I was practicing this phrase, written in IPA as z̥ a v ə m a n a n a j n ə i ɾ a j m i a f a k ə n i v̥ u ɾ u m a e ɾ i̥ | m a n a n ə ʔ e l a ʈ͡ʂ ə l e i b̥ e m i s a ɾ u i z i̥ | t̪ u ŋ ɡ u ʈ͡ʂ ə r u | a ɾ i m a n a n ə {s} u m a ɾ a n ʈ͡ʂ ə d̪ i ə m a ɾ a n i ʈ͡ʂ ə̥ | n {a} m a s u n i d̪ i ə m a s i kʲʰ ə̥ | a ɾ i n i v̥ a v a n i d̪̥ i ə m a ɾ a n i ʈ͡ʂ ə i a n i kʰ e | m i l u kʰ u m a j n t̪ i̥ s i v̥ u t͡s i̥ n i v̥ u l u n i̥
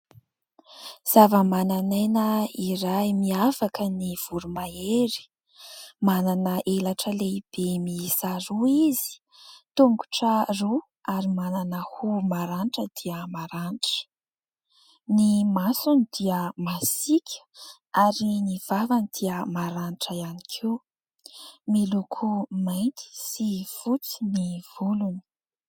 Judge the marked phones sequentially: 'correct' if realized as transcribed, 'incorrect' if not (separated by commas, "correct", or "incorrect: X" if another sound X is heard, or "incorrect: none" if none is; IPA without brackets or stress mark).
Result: incorrect: h, incorrect: i